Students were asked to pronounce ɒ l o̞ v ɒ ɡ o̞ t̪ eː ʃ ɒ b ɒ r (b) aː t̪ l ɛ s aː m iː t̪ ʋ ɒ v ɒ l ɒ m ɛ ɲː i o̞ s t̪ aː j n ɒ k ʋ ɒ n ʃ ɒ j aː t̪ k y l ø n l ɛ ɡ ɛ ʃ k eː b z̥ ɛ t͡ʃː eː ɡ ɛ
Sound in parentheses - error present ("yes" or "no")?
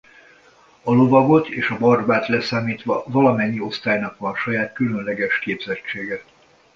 no